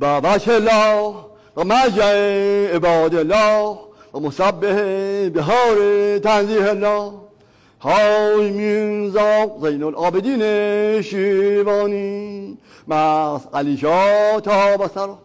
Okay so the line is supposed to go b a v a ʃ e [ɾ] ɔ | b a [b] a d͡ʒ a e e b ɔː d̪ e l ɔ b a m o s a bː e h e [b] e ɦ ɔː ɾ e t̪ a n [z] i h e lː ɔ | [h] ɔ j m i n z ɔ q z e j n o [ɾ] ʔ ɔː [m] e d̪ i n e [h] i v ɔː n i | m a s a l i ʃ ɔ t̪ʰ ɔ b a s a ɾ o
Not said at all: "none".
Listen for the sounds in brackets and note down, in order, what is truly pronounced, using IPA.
l, m, b, z, h, l, b, ʃ

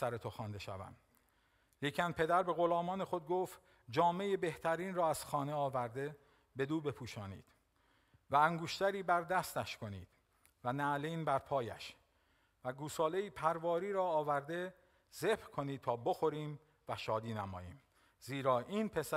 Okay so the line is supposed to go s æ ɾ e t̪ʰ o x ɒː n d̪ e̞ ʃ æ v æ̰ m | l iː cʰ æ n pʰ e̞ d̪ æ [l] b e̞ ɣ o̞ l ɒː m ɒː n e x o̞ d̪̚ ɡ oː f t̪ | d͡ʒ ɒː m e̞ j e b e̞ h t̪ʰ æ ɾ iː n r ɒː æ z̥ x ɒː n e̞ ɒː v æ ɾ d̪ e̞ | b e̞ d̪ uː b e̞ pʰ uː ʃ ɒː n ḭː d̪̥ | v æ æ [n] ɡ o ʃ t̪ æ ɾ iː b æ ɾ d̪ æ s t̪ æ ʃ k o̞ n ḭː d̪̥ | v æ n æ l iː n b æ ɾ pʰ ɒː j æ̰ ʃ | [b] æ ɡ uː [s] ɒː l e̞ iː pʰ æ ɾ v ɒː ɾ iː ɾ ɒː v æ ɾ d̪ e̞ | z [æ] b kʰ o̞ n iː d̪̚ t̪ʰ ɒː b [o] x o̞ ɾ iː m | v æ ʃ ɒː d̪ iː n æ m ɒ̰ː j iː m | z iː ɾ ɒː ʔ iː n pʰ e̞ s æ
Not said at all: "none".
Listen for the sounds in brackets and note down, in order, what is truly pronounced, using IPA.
ɾ, ŋ, v, s, e, o

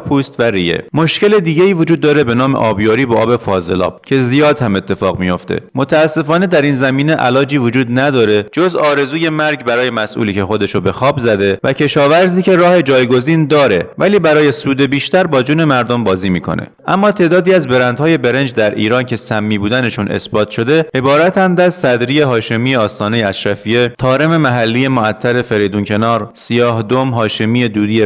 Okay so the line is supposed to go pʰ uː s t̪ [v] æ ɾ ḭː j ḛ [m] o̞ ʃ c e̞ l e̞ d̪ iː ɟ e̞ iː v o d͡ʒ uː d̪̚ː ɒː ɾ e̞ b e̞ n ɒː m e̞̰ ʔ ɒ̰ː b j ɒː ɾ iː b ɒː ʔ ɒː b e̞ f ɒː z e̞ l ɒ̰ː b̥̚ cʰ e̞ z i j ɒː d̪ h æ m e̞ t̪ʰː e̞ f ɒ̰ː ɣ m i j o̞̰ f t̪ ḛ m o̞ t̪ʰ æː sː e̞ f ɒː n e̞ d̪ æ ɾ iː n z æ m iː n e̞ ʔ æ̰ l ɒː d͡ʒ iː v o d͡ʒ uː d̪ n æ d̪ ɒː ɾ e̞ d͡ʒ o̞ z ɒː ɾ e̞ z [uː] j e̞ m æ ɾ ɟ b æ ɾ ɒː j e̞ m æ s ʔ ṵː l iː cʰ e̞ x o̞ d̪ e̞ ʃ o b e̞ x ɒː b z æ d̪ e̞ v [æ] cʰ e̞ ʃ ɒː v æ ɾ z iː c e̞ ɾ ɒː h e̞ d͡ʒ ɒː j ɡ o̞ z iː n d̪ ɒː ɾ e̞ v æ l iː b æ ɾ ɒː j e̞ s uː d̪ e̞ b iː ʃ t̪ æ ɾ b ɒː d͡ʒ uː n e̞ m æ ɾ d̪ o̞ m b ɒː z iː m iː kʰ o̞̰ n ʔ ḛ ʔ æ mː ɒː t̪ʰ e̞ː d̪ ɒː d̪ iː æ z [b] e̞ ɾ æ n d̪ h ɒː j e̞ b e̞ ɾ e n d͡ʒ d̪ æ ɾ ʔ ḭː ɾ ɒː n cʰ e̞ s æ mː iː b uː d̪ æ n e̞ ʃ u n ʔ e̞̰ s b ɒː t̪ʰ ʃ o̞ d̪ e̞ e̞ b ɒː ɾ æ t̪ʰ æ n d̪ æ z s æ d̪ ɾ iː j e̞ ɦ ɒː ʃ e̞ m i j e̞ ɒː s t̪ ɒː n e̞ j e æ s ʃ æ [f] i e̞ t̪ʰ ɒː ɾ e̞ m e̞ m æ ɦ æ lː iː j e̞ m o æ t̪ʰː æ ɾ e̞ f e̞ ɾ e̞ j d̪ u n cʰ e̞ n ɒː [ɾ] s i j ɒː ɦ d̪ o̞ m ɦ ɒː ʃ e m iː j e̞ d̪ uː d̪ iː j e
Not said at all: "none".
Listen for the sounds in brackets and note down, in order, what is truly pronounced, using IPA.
v, m, uː, æ, b, f, ɾ

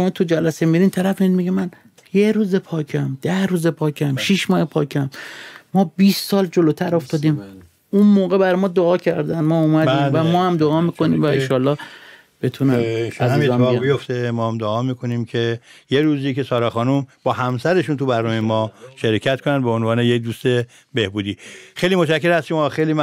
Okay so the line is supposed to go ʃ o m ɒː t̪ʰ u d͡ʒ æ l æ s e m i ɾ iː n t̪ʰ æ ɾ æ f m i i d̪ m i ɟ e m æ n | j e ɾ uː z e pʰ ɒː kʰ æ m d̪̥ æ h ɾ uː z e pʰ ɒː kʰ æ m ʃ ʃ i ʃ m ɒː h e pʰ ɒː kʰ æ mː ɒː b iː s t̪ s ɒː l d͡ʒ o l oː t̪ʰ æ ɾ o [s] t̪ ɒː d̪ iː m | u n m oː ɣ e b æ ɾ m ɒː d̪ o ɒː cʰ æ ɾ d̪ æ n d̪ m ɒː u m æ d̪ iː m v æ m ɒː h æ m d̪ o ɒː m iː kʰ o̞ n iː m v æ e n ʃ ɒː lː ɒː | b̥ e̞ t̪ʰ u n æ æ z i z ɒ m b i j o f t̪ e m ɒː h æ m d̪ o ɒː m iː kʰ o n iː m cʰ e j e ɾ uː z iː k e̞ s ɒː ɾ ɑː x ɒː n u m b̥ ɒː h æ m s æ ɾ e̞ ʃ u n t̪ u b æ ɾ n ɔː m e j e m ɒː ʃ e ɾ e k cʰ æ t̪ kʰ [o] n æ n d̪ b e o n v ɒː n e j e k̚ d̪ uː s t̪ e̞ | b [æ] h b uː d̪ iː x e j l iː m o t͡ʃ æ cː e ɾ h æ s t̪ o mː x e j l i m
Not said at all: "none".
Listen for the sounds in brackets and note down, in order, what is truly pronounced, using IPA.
f, o, e

